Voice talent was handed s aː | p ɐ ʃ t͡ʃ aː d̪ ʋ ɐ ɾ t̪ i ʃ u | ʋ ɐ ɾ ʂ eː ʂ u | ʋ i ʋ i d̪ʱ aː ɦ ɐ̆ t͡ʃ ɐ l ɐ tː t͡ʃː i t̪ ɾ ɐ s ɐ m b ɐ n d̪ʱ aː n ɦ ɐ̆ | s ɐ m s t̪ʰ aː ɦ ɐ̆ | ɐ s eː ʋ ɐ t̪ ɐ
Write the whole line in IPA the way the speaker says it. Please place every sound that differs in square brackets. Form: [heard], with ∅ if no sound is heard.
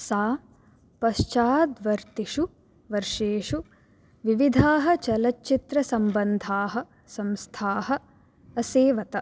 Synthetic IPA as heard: s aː | p ɐ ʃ t͡ʃ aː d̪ ʋ ɐ ɾ t̪ i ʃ u | ʋ ɐ ɾ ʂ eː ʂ u | ʋ i ʋ i d̪ʱ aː ɦ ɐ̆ t͡ʃ ɐ l ɐ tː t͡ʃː i t̪ ɾ ɐ s ɐ m b ɐ n d̪ʱ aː [∅] ɦ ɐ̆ | s ɐ m s t̪ʰ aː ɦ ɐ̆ | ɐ s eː ʋ ɐ t̪ ɐ